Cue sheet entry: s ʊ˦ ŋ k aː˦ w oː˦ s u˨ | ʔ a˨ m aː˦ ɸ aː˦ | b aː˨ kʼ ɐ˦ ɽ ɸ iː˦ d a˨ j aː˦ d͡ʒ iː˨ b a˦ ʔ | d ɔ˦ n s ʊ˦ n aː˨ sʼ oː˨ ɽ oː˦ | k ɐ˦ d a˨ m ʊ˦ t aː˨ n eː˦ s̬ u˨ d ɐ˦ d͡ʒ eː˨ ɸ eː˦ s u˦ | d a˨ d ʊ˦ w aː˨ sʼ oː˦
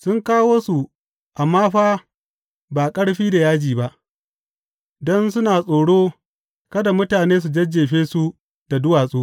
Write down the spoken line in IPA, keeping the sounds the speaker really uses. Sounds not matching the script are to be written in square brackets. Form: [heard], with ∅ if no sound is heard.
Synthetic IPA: s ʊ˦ ŋ k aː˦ w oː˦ s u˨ | ʔ a˨ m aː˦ ɸ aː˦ | b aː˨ kʼ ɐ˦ ɽ ɸ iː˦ d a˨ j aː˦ d͡ʒ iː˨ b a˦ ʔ | d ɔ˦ n s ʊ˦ n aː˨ sʼ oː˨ ɽ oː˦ | k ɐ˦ d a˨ m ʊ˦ t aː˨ n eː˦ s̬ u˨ [d͡ʒ] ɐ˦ d͡ʒ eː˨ ɸ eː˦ s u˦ | d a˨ d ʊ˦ w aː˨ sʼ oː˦

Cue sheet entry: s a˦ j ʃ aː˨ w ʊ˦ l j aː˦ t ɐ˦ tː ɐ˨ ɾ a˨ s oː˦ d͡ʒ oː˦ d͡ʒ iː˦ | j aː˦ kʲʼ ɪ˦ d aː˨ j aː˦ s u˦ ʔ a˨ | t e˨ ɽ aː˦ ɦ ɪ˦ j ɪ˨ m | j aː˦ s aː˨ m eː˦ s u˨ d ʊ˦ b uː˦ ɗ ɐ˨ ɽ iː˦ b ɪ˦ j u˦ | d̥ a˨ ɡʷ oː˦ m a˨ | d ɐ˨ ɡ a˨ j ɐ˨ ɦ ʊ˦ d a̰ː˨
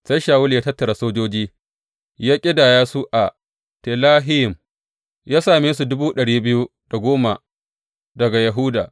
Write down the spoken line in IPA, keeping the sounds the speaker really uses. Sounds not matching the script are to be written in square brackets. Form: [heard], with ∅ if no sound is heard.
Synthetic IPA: s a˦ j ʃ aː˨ w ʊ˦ l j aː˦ t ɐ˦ tː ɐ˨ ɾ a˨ s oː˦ d͡ʒ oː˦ d͡ʒ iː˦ | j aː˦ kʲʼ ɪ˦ d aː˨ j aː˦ s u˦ ʔ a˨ | t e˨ [l] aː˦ ɦ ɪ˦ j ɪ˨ m | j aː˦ s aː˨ m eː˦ s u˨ d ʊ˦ b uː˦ ɗ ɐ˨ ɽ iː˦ b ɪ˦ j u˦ | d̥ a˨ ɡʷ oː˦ m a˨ | d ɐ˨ ɡ a˨ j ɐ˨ ɦ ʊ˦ d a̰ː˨

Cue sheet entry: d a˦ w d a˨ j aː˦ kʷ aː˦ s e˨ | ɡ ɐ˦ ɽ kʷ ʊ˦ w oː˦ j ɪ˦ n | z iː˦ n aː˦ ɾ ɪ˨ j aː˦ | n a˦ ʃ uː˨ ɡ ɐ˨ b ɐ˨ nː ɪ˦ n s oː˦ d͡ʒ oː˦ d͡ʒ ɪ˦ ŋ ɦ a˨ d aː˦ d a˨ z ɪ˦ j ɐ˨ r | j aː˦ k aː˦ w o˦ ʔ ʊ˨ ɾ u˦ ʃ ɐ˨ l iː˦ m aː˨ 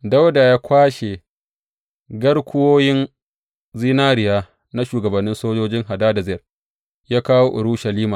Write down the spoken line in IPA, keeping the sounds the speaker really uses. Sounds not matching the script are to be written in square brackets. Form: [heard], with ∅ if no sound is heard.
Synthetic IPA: d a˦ w d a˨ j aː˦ kʷ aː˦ [ʃ] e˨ | ɡ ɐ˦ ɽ kʷ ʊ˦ w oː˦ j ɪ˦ n | z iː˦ n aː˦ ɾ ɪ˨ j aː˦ | n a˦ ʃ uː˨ ɡ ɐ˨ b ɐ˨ nː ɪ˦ n s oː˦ d͡ʒ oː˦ d͡ʒ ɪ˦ ŋ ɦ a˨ d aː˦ d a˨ z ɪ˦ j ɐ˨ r | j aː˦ k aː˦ w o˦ ʔ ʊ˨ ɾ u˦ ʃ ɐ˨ l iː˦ m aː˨

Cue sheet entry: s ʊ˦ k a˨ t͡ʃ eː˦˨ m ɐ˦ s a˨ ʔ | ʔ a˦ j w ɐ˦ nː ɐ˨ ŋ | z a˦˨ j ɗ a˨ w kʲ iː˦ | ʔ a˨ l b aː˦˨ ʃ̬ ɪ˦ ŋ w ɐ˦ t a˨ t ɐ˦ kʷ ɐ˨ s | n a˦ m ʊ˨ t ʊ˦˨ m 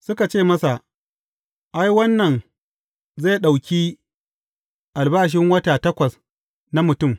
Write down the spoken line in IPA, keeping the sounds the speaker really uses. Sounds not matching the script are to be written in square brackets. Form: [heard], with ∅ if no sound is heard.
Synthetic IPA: s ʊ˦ k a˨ t͡ʃ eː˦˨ m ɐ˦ s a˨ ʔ | ʔ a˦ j w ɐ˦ nː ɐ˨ [n] | z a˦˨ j ɗ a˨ w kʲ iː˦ | ʔ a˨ l b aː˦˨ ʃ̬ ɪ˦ ŋ w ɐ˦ t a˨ t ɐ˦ kʷ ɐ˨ s | n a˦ m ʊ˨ t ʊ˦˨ m

